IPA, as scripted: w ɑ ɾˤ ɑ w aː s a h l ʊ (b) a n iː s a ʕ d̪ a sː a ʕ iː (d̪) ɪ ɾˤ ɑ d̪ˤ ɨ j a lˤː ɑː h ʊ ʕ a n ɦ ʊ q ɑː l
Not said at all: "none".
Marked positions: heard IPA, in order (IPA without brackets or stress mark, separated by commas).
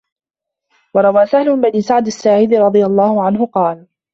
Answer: b, d̪